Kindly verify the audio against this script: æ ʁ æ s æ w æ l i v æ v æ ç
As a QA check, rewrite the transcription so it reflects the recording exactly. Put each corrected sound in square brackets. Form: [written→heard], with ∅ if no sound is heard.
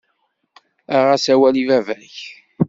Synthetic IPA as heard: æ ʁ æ s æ w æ l i v æ v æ ç